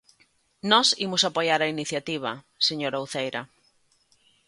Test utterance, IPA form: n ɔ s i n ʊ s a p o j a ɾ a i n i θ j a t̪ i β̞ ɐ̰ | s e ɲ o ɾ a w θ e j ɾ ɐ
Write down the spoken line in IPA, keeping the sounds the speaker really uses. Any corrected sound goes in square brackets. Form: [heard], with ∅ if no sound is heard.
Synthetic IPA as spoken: n ɔ s i [m] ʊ s a p o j a ɾ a i n i θ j a t̪ i β̞ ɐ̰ | s e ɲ o ɾ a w θ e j ɾ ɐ